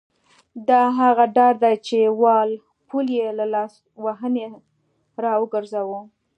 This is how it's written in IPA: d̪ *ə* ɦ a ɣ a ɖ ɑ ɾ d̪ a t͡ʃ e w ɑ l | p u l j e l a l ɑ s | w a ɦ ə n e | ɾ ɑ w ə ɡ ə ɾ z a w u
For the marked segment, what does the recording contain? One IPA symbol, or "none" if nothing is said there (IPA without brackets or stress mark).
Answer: ɑ